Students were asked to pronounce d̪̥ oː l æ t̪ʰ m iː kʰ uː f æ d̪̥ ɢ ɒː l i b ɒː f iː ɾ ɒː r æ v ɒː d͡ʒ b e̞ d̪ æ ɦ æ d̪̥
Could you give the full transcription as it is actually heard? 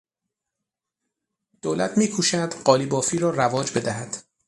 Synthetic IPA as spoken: d̪̥ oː l æ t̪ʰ m iː kʰ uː ʃ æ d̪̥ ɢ ɒː l i b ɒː f iː ɾ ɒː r æ v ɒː d͡ʒ b e̞ d̪ æ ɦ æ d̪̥